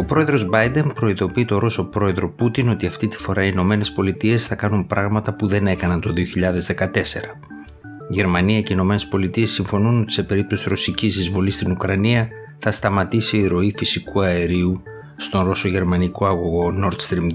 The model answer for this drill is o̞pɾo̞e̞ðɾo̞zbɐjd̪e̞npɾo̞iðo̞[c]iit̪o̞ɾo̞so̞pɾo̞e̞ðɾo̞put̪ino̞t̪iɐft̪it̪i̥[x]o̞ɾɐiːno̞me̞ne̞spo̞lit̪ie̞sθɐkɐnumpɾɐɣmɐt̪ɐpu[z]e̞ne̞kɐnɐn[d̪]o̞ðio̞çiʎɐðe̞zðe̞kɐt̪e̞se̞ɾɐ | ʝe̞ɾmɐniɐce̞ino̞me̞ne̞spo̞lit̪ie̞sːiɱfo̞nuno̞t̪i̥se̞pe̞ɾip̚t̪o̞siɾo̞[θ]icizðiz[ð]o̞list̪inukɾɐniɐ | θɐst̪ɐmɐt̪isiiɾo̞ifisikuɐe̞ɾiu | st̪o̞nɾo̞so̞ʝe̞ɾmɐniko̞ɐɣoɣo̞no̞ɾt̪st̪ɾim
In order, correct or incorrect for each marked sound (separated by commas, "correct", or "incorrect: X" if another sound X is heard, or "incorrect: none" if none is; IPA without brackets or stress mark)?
incorrect: p, incorrect: f, incorrect: ð, incorrect: t̪, incorrect: s, incorrect: v